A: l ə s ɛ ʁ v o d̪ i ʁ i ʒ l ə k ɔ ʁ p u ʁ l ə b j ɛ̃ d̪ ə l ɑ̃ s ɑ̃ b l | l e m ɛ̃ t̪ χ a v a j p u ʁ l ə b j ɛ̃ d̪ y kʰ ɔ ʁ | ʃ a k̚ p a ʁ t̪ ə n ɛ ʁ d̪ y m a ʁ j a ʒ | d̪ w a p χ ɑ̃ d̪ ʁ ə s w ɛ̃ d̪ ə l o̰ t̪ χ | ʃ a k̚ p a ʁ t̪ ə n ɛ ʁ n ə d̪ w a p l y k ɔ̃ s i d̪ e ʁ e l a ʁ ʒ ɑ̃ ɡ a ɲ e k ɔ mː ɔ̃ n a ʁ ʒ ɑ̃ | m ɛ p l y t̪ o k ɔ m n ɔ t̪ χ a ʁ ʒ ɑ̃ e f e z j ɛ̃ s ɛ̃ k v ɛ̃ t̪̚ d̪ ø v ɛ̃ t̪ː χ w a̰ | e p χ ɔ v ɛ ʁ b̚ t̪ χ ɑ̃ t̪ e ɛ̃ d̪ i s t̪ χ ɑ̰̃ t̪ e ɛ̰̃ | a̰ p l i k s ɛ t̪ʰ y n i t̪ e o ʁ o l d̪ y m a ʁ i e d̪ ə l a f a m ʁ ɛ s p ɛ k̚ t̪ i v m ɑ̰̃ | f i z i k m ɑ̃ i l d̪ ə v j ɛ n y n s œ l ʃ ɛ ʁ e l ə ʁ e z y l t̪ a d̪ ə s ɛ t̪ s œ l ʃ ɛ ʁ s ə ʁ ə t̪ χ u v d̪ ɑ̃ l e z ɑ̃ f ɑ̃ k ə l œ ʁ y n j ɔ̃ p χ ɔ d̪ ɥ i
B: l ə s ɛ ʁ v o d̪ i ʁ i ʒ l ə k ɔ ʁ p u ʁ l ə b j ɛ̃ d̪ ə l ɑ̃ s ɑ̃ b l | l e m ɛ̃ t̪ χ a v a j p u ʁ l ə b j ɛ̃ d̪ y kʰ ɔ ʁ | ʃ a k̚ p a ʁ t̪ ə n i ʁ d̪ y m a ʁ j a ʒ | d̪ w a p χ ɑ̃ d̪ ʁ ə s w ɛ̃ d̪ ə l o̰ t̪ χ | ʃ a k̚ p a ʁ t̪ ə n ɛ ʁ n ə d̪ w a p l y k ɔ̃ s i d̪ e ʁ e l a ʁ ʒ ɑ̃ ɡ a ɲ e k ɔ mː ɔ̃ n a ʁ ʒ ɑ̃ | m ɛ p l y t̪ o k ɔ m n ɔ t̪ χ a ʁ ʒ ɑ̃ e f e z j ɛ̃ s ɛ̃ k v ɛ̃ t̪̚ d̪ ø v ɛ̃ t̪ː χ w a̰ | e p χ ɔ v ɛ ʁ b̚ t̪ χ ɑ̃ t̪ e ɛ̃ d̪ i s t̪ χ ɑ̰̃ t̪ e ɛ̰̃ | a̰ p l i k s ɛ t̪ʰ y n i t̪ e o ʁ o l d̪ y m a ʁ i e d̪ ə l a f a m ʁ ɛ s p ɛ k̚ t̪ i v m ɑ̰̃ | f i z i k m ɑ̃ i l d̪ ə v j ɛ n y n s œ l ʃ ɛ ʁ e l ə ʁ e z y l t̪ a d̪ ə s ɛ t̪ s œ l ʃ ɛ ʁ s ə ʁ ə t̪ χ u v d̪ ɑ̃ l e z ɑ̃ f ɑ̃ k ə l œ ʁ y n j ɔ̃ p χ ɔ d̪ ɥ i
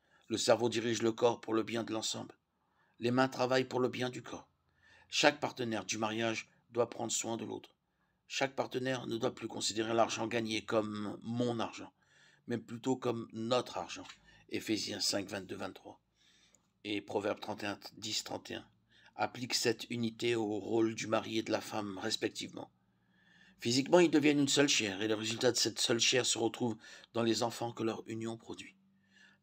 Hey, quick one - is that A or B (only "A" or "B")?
A